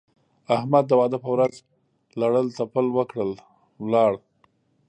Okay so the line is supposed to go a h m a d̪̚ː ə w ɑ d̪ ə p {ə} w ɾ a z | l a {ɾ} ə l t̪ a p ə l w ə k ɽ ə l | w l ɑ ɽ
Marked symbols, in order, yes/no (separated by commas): yes, no